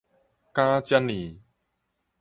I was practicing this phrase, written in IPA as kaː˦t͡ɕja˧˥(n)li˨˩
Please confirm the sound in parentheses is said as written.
yes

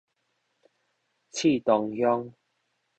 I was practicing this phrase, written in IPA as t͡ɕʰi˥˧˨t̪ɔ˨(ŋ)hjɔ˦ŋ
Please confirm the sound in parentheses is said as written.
yes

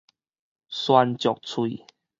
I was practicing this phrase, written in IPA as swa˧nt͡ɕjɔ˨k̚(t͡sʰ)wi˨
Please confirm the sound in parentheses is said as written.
yes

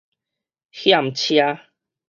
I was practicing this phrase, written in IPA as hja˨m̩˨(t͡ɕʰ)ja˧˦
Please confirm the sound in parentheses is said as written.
yes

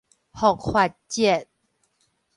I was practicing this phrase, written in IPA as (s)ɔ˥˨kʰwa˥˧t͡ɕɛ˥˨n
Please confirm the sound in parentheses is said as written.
no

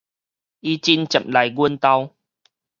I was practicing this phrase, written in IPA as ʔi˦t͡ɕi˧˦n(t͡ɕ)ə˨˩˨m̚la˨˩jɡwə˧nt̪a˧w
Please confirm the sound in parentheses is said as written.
yes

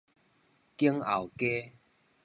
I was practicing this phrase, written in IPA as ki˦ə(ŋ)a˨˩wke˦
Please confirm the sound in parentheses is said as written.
yes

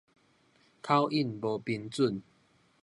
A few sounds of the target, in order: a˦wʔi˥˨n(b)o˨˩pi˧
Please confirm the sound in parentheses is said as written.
yes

